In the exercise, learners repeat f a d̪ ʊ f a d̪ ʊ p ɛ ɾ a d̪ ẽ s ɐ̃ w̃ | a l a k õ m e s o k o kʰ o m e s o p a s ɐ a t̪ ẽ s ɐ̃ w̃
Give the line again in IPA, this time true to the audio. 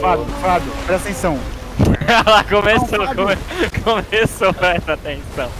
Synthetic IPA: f a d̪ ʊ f a d̪ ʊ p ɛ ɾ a t̪ ẽ s ɐ̃ w̃ | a l a k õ m e s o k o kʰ o m e s o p ɛ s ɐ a t̪ ẽ s ɐ̃ w̃